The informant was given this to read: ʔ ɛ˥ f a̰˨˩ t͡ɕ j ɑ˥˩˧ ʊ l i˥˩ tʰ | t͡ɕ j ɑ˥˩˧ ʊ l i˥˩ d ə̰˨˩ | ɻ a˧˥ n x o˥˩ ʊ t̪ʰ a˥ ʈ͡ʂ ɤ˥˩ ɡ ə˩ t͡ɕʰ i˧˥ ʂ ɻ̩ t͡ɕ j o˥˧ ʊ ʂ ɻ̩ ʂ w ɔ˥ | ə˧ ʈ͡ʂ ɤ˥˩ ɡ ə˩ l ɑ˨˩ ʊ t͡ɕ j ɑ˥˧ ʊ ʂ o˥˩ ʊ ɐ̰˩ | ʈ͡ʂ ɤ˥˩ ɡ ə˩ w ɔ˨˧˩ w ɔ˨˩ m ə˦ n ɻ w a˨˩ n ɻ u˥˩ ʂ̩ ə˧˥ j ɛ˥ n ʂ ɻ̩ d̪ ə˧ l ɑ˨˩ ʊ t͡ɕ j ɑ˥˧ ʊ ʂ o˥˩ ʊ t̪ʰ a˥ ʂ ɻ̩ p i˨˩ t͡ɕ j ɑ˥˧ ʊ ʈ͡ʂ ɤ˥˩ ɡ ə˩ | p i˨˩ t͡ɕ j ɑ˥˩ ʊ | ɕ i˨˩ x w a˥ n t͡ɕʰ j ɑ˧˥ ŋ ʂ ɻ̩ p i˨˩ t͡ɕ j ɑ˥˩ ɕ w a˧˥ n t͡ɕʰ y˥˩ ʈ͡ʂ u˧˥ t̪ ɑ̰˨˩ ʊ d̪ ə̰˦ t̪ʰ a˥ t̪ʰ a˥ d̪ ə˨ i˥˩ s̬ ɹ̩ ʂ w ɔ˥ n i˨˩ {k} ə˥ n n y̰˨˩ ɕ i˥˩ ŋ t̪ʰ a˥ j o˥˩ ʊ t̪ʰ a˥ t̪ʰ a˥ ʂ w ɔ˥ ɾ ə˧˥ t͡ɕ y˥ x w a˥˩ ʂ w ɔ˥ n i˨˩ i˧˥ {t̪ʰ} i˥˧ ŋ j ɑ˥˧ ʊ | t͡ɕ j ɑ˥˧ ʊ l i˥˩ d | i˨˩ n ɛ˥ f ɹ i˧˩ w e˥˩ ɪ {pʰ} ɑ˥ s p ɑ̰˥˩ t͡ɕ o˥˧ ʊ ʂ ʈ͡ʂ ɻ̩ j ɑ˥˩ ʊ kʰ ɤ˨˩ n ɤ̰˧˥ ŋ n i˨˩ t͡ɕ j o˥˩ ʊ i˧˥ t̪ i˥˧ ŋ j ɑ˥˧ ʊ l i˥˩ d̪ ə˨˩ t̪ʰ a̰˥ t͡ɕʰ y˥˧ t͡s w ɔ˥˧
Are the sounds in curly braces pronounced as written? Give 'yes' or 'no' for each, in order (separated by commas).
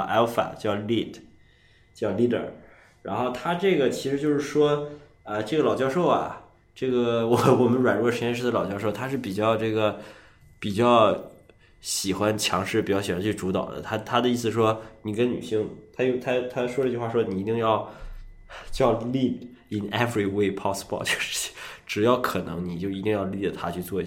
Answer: yes, no, yes